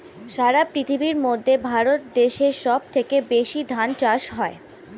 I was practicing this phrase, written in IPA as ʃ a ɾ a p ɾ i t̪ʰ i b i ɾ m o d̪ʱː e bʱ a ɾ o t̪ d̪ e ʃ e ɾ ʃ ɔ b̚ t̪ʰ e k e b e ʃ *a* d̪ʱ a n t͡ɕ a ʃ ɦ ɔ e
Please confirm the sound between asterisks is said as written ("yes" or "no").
no